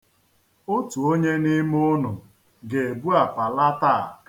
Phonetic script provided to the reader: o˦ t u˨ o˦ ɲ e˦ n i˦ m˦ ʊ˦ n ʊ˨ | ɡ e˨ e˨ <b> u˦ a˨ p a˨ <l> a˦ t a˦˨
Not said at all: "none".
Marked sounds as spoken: b, l

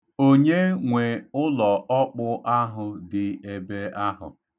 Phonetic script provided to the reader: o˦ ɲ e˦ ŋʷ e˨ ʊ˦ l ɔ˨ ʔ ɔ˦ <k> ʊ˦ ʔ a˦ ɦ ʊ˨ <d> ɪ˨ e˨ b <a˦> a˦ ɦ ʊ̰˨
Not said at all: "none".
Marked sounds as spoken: k͡p, d, e˦

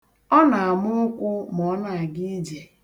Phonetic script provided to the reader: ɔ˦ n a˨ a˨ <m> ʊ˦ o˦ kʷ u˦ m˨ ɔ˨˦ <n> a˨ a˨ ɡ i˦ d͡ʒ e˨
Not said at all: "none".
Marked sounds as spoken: m, n

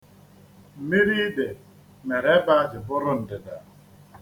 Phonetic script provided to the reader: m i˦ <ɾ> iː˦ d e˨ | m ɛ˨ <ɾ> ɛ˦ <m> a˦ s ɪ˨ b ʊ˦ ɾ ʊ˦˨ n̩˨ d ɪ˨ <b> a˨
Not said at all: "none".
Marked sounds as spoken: ɾ, ɾ, b, d

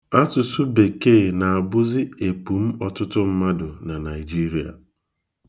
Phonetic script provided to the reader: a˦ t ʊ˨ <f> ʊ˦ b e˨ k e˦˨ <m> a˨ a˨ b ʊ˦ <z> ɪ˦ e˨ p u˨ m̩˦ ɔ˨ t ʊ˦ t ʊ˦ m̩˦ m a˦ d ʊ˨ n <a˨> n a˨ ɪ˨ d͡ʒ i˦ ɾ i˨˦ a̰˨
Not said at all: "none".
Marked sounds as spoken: s, n, z, a˨

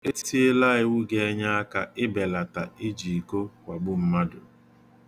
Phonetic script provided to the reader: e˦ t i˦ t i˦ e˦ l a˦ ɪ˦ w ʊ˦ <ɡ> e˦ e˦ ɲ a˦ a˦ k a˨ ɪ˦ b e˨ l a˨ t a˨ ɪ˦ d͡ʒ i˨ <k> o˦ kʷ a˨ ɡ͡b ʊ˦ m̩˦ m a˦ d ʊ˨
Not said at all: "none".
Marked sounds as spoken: ɡ, k

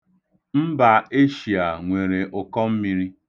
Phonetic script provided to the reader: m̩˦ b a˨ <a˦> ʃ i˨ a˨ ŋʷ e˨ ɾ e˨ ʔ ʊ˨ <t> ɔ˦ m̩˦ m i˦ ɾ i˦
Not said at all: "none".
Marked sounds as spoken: e˦, k

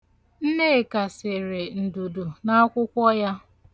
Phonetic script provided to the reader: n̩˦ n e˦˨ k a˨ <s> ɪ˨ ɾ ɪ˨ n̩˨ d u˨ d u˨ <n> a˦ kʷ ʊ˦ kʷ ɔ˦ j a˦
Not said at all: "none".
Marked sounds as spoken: s, n

